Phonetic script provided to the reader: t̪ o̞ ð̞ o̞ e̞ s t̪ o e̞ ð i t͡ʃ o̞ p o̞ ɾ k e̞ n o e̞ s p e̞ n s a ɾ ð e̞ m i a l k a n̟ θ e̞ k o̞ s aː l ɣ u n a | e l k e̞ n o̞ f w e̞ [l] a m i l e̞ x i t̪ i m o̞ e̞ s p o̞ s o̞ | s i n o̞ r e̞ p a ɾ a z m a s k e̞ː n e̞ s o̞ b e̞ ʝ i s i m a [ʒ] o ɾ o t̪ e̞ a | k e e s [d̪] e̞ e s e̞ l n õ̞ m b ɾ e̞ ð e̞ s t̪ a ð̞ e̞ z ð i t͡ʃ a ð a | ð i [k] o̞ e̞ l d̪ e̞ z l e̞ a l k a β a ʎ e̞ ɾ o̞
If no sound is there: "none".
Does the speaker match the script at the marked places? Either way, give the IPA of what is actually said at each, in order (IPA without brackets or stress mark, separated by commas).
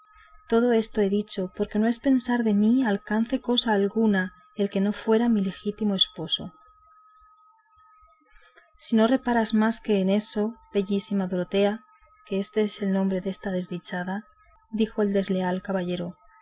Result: ɾ, ð, t̪, x